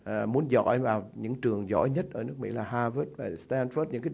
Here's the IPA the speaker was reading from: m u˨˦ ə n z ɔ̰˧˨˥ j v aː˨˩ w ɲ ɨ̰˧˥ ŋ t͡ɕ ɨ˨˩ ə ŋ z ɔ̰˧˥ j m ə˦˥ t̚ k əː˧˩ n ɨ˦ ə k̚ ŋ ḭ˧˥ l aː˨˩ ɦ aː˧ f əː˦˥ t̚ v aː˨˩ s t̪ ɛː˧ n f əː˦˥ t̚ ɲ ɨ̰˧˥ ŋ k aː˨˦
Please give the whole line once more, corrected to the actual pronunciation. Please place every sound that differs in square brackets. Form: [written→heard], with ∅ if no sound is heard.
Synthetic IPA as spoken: m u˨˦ ə n z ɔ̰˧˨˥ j v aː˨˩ w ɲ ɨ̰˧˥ ŋ t͡ɕ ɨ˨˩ ə ŋ z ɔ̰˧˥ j [m→ɲ] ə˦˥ t̚ [k→ʔ] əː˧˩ n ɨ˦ ə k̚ [ŋ→m] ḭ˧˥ l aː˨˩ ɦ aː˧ [f→v] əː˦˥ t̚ v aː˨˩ s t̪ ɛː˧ n f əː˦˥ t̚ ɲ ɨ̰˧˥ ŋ k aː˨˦